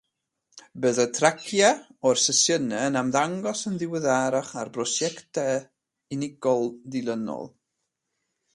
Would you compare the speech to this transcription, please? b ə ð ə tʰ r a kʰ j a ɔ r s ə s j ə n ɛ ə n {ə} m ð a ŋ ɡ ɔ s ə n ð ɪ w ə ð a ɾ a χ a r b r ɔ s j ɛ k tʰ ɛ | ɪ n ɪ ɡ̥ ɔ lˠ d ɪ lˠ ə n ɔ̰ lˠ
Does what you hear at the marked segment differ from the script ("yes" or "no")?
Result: yes